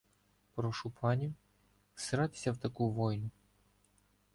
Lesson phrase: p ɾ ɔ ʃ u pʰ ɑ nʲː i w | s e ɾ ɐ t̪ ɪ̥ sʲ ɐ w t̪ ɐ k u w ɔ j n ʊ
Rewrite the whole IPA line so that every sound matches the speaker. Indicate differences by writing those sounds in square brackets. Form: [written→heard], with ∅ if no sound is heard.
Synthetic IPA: p ɾ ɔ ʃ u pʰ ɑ [nʲː→nʲ] i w | s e ɾ [ɐ→ɑ] t̪ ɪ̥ sʲ ɐ w t̪ ɐ k u [w→ʋ] ɔ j n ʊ